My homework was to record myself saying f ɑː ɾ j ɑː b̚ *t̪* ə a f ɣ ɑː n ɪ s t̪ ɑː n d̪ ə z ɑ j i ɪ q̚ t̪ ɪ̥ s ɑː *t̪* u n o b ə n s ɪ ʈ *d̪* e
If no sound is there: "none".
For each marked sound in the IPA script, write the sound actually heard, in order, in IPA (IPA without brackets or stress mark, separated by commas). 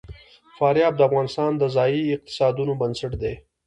d̪, d̪, d̪